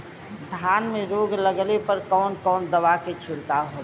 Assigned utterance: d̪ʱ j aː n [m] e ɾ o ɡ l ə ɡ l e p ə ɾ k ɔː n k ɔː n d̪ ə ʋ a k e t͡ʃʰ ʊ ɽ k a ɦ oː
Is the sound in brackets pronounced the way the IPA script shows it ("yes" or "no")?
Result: yes